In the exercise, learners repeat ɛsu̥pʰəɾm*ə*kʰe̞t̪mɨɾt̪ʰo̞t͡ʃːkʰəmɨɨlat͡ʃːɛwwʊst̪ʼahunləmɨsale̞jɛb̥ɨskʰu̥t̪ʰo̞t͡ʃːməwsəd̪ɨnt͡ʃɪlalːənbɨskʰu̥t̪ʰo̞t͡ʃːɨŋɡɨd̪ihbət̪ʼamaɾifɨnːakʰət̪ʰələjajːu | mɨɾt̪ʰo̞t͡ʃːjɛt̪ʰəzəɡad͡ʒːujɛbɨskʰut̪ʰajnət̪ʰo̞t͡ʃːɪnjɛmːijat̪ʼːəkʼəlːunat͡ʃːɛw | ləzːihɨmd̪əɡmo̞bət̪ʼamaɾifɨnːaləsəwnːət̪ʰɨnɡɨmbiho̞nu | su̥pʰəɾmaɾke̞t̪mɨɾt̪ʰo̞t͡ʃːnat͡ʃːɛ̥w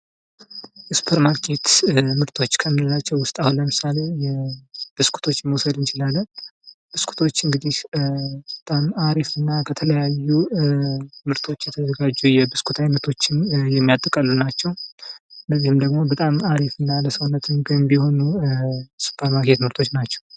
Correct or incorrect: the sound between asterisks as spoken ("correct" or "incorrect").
incorrect